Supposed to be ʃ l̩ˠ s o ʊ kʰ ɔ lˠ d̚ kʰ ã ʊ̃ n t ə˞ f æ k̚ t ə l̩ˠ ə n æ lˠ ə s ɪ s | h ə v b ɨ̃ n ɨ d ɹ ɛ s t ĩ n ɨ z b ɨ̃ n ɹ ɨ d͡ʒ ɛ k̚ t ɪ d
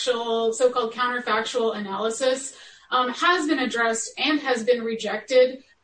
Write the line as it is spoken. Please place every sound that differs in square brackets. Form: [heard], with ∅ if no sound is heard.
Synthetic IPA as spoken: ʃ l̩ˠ s o ʊ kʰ ɔ lˠ d̚ kʰ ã ʊ̃ n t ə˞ f æ k̚ [t͡ʃ] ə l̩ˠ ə n æ lˠ ə s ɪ s | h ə [z] b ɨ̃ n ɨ d ɹ ɛ s t [ɨ̃] n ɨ z b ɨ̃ n ɹ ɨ d͡ʒ ɛ k̚ t ɪ d